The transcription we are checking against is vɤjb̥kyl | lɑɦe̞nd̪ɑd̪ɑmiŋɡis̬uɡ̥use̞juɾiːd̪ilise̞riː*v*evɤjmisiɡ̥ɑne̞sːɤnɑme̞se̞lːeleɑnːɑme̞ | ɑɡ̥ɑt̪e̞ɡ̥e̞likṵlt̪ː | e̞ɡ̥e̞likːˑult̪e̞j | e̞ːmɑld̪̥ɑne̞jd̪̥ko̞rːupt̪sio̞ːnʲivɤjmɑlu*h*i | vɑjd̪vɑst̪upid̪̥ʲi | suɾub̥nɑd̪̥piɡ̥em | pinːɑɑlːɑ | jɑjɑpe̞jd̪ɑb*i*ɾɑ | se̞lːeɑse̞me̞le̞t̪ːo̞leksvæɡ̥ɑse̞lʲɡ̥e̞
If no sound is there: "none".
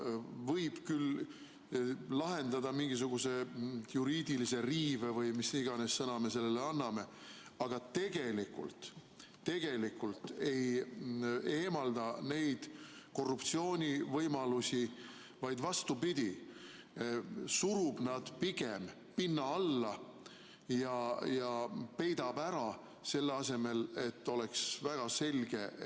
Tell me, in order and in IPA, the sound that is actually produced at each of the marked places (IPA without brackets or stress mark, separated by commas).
v, s, æ